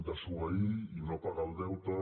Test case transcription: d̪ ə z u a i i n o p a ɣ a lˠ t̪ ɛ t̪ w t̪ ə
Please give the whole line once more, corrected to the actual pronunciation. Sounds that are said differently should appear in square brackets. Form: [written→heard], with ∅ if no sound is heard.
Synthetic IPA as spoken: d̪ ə [z→s] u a i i n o p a ɣ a lˠ [t̪→d̪] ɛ [t̪→∅] w t̪ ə

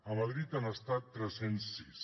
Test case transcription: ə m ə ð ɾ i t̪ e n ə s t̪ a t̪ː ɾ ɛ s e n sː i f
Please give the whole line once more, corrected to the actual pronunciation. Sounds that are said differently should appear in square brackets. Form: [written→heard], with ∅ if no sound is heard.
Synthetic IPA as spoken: ə m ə ð ɾ i t̪ [e→a] n ə s t̪ a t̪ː ɾ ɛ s e n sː i [f→s]

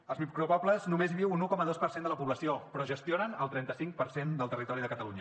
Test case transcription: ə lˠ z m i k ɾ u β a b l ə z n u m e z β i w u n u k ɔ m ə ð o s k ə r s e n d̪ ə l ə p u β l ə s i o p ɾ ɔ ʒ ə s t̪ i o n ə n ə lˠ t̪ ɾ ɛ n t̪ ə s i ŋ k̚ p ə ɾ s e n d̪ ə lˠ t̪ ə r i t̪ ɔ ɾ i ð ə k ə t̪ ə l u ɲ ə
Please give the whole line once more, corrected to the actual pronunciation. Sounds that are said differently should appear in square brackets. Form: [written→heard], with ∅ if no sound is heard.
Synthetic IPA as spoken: ə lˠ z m i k ɾ u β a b l ə z n u m e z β i w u n u k ɔ m ə ð o s [k→p] ə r s e n d̪ ə l ə p u β l ə s i o p ɾ ɔ ʒ ə s t̪ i o n ə n ə lˠ t̪ ɾ ɛ n t̪ ə s i ŋ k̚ p ə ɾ s e n d̪ ə lˠ t̪ ə r i t̪ ɔ ɾ i ð ə k ə t̪ ə l u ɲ ə

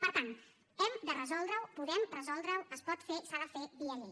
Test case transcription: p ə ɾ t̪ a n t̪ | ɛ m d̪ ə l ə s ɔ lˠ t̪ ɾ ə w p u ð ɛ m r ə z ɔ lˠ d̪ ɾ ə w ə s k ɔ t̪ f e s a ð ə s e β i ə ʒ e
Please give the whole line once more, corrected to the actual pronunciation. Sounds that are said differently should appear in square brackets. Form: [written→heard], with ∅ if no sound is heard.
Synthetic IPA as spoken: p ə ɾ t̪ a n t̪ | ɛ m d̪ ə [l→r] ə [s→z] ɔ lˠ [t̪→d̪] ɾ ə w p u ð ɛ m r ə z ɔ lˠ d̪ ɾ ə w ə s [k→p] ɔ t̪ f e s a ð ə [s→f] e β i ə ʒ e

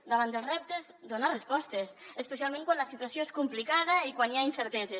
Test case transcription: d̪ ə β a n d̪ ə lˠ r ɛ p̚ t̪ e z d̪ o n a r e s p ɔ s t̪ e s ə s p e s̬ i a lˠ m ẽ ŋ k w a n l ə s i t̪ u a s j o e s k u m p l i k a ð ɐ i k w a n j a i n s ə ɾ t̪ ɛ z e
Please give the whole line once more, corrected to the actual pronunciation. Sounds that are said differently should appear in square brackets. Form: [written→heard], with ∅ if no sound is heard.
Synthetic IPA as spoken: d̪ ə β a n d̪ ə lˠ r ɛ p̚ t̪ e z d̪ o n a r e s p ɔ s t̪ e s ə s p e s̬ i a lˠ m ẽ ŋ k w a n l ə s i t̪ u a s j o e s k u m p l i k a ð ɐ i k w a n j a i n s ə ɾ t̪ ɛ z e

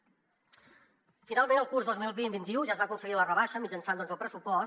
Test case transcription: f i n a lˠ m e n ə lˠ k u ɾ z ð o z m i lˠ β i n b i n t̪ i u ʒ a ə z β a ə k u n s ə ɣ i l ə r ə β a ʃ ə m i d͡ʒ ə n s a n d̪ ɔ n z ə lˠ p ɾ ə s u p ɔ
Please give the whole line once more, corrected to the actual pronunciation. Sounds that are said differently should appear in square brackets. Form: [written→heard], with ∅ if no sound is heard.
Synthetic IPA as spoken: f i n a lˠ m e n ə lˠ k u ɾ z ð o z m i lˠ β i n b i n t̪ i u ʒ a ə z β a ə k u n s ə ɣ i l ə r ə β a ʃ ə m i d͡ʒ ə n s a n d̪ ɔ n z ə lˠ p ɾ ə s u p ɔ

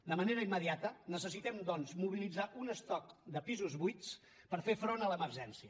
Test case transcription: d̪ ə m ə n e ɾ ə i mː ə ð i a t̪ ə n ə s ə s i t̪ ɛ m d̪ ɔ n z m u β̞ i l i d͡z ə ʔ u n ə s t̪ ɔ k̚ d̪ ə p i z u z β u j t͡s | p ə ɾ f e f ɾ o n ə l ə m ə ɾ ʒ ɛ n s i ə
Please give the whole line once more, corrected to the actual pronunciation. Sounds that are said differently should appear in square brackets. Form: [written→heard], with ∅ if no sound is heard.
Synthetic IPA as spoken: d̪ ə m ə n e ɾ ə i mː ə ð i a t̪ ə n ə s ə s i t̪ ɛ m d̪ ɔ n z m u β̞ i l i d͡z [ə→a] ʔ u n ə s t̪ ɔ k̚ d̪ ə p i z u z β u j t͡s | p ə ɾ f e f ɾ o n ə l ə m ə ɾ ʒ ɛ n s i ə

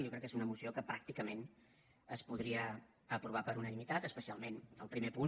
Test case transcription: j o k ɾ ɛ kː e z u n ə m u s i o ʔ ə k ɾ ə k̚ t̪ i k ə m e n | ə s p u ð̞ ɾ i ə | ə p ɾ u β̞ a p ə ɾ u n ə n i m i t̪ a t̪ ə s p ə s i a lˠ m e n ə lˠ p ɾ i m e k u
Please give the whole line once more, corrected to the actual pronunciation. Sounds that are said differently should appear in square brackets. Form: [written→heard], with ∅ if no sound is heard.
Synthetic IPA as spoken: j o k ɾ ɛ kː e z u n ə m u s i o [ʔ→k] ə [k→p] ɾ [ə→a] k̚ t̪ i k ə m e n | ə s p u ð̞ ɾ i ə | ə p ɾ u β̞ a p ə ɾ u n ə n i m i t̪ a t̪ ə s p ə s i a lˠ m e n ə lˠ p ɾ i m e [k→p] u

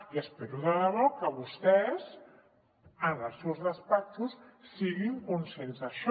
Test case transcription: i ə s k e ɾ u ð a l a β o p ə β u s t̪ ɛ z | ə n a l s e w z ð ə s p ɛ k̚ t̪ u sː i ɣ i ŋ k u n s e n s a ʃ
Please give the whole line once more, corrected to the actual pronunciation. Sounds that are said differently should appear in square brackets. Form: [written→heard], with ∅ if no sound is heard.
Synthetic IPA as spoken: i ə s [k→p] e ɾ u ð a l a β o [p→k] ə β u s t̪ ɛ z | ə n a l s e w z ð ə s p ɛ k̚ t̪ u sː i ɣ i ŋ k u n s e n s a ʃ

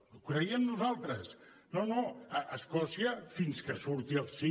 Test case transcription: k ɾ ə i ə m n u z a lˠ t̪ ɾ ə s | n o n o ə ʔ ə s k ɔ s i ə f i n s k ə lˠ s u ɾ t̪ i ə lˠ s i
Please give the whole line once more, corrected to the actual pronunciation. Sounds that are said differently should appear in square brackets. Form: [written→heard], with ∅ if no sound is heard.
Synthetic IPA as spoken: k ɾ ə i ə m n u z a lˠ t̪ ɾ ə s | n o n o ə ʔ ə s k ɔ s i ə f i n s k ə [lˠ→∅] s u ɾ t̪ i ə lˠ s i

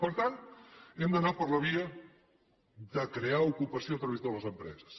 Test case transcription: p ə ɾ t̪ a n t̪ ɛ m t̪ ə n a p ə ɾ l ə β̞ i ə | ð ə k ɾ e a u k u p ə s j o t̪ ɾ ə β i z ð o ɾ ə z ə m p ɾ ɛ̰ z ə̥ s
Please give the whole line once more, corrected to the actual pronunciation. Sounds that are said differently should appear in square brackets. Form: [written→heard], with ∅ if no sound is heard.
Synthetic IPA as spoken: p ə ɾ t̪ a n t̪ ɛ m [t̪→d̪] ə n a p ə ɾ l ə β̞ i ə | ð ə k ɾ e a u k u p ə s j o t̪ ɾ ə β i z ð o [ɾ→l] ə z ə m p ɾ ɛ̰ z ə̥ s

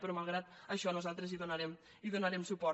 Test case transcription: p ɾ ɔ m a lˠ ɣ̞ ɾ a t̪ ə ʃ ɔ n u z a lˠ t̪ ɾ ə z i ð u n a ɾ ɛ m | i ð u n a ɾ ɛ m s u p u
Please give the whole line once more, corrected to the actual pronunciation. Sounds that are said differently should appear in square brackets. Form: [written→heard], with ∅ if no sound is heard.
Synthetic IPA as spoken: p ɾ ɔ m a lˠ ɣ̞ ɾ a t̪ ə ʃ ɔ n u z a lˠ t̪ ɾ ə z i ð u n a ɾ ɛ m | i ð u n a ɾ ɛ m s u p [u→ɔ]

